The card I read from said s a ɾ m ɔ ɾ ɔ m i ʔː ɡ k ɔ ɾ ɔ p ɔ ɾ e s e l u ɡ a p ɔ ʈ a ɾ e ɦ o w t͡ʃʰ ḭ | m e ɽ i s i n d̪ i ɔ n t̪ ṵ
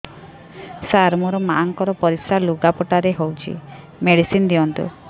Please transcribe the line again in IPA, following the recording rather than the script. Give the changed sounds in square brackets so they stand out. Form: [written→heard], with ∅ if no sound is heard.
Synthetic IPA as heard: s a ɾ m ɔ ɾ ɔ m [i→a] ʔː [ɡ→ŋ] k ɔ ɾ ɔ p ɔ ɾ [e→i] s [e→a] l u ɡ a p ɔ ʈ a ɾ e ɦ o w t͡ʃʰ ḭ | m e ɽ i s i n d̪ i ɔ n t̪ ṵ